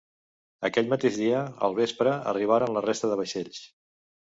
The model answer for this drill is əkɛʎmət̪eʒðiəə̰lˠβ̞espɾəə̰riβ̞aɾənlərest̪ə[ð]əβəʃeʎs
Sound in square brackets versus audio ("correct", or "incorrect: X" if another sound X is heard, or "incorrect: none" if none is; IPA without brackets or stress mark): correct